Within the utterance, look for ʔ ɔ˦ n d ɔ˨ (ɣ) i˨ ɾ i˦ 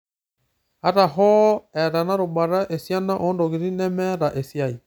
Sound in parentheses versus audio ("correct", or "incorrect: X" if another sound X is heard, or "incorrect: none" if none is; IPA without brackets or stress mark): correct